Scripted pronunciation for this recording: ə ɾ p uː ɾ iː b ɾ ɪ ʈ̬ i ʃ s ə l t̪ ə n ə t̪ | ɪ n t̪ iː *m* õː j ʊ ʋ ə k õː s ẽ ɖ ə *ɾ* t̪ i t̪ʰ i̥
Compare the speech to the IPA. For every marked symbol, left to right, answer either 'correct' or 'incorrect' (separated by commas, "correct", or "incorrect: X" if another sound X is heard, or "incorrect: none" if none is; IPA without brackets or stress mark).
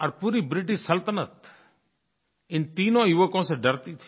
incorrect: n, correct